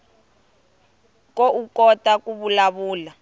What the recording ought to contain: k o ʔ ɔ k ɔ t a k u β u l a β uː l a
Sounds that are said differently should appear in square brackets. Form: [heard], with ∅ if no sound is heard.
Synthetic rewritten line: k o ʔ [u] k ɔ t a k u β u l a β uː l a